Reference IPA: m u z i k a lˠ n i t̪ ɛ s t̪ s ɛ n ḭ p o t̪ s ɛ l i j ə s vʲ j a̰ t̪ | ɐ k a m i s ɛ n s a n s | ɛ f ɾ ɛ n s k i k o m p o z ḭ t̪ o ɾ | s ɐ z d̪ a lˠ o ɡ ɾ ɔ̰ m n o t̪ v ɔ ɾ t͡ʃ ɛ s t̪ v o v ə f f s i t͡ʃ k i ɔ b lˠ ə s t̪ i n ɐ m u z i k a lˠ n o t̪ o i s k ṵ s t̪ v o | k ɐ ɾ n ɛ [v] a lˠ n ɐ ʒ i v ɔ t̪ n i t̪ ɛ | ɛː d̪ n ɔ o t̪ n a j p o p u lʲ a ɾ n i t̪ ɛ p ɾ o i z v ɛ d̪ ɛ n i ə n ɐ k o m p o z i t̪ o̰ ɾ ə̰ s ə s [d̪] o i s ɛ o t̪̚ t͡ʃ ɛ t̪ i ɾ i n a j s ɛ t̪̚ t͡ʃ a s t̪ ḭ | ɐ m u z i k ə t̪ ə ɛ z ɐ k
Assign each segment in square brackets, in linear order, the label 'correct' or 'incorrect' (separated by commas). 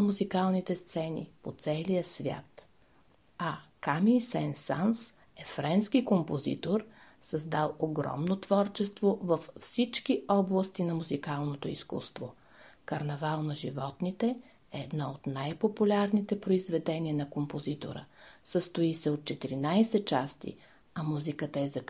correct, incorrect